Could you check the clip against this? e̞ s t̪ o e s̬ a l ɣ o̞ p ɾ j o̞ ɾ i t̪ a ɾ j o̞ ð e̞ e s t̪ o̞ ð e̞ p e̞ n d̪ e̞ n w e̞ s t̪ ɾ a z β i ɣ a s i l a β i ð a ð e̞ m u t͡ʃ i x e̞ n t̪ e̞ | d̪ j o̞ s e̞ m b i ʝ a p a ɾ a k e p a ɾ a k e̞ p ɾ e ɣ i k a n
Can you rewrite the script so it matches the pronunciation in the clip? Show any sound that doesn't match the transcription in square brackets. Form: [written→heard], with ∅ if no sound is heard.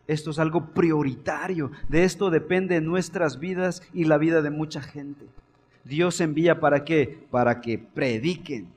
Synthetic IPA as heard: e̞ s t̪ o e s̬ a l ɣ o̞ p ɾ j o̞ ɾ i t̪ a ɾ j o̞ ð e̞ e s t̪ o̞ ð e̞ p e̞ n d̪ e̞ n w e̞ s t̪ ɾ a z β i [ɣ→ð] a s i l a β i ð a ð e̞ m u t͡ʃ [i→a] x e̞ n t̪ e̞ | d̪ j o̞ s e̞ m b i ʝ a p a ɾ a k e p a ɾ a k e̞ p ɾ e [ɣ→ð] i k [a→e] n